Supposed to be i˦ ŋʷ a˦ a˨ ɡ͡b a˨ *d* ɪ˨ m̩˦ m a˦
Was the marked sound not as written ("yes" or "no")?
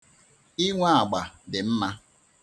no